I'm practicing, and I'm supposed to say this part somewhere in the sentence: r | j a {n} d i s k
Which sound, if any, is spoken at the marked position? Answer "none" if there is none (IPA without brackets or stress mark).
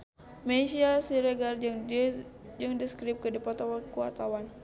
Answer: ŋ